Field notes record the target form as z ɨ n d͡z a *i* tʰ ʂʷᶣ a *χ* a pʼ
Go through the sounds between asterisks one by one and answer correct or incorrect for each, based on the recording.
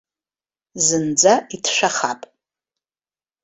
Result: correct, correct

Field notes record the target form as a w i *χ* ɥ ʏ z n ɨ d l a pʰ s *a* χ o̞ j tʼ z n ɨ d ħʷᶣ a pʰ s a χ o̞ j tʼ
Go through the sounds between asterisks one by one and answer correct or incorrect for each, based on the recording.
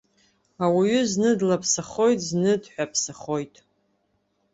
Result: incorrect: none, correct

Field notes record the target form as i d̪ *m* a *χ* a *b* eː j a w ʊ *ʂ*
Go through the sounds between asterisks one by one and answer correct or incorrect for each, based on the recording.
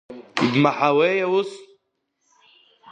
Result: correct, incorrect: ħ, incorrect: w, incorrect: s

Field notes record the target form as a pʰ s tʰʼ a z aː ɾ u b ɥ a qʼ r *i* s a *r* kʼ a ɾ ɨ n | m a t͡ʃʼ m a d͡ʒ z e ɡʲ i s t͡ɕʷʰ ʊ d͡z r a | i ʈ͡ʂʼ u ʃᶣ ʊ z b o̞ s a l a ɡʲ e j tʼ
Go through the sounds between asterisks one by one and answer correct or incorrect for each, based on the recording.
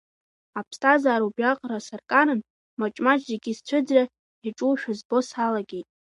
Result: incorrect: a, correct

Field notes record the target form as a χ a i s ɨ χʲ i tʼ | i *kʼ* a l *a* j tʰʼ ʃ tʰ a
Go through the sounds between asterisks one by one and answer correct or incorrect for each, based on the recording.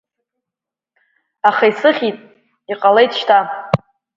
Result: incorrect: qʼ, incorrect: e

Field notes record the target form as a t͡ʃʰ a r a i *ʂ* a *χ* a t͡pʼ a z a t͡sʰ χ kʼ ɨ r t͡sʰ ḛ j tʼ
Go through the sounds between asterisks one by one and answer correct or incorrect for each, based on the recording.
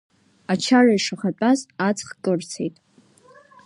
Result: correct, correct

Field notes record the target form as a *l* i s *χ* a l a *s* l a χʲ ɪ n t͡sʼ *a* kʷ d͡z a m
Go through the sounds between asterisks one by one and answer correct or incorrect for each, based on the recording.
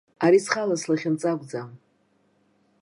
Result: incorrect: ɾ, correct, correct, correct

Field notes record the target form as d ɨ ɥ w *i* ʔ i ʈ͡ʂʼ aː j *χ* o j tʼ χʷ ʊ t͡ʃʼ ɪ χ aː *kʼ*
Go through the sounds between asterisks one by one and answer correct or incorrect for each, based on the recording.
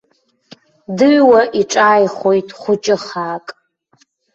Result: incorrect: a, correct, correct

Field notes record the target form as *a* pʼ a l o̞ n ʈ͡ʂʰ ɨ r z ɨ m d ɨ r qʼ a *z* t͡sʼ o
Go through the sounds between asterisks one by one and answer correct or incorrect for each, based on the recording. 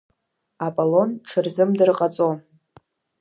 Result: correct, incorrect: none

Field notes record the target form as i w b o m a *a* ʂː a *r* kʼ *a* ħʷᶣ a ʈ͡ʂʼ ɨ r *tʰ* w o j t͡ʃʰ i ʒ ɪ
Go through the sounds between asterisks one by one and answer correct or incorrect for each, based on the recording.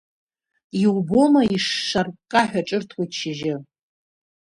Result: incorrect: i, correct, correct, correct

